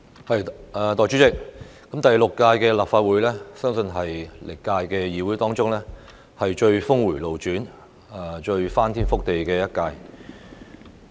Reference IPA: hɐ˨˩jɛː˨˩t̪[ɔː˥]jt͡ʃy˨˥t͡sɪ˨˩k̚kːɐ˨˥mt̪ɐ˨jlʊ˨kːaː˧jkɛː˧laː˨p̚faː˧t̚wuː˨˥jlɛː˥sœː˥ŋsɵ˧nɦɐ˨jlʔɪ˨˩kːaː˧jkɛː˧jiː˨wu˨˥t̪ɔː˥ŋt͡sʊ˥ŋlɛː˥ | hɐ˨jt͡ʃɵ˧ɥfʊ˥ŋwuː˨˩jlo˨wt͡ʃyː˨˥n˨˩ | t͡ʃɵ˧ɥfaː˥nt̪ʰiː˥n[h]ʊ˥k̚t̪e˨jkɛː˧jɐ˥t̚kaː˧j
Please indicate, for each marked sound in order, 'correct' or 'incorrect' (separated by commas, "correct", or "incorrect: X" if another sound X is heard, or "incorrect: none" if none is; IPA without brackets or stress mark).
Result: incorrect: ɔː˨, incorrect: f